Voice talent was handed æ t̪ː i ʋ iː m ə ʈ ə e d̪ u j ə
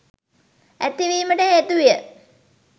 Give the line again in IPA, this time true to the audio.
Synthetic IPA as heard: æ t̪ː i ʋ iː m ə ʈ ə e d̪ u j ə